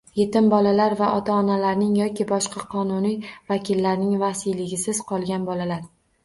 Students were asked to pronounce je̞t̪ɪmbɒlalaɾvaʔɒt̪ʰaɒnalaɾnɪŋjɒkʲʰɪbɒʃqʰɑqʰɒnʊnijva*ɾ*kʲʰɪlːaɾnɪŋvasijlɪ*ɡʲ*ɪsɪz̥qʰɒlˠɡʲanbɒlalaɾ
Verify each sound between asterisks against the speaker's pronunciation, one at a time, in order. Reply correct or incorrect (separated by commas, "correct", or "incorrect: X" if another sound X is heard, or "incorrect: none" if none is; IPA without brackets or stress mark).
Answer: incorrect: none, correct